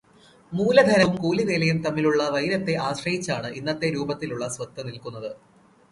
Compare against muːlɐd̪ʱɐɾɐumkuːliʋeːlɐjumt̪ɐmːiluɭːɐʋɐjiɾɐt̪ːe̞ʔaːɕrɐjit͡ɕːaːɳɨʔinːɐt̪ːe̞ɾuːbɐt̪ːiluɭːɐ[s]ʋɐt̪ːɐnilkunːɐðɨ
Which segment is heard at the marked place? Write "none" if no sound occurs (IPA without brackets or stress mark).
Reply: s